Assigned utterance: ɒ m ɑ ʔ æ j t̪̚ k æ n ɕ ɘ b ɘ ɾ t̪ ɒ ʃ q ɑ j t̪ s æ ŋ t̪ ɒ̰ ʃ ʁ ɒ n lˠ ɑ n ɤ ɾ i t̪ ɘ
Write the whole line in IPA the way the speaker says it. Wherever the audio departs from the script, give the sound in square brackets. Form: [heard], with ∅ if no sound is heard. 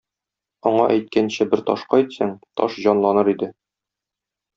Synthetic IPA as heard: ɒ [ɴ] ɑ ʔ æ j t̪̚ k æ n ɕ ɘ b ɘ ɾ t̪ ɒ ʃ q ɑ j t̪ s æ ŋ t̪ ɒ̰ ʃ [ʑ] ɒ n lˠ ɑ n ɤ ɾ i [d̪] ɘ